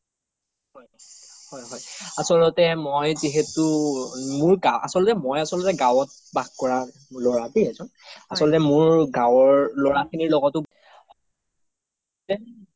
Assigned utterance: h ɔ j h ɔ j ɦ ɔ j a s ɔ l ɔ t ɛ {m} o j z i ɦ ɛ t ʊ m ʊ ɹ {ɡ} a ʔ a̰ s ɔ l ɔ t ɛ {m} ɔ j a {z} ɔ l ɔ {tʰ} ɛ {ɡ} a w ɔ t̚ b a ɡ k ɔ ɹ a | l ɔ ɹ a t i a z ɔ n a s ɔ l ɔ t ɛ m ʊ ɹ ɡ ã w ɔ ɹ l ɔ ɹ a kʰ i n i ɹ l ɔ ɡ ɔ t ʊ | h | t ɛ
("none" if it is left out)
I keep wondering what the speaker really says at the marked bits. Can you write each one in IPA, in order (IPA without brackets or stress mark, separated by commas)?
m, ɡ, m, s, t, ɡ